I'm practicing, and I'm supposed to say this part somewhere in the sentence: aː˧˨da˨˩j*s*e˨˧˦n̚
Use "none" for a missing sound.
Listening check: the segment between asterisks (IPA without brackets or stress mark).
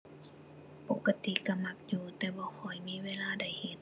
h